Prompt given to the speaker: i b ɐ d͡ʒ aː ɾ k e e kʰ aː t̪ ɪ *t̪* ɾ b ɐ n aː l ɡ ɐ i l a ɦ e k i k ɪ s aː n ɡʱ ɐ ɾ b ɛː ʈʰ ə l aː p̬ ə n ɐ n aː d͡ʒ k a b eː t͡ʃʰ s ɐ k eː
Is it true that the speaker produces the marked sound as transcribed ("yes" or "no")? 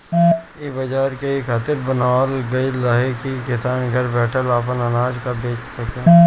no